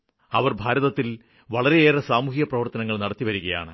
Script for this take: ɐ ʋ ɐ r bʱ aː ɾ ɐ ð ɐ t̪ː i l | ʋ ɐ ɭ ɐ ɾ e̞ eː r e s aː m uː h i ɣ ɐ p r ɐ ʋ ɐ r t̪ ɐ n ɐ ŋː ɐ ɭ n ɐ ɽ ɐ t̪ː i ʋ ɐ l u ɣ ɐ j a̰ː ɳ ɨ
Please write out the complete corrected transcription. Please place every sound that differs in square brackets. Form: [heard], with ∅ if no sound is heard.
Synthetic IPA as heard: ɐ ʋ ɐ r bʱ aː ɾ ɐ ð ɐ t̪ː i l | ʋ ɐ ɭ ɐ ɾ e̞ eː r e s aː m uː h i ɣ ɐ p r ɐ ʋ ɐ r t̪ ɐ n ɐ ŋː ɐ ɭ n ɐ ɽ ɐ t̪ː i ʋ ɐ [ɾ] u ɣ ɐ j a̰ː ɳ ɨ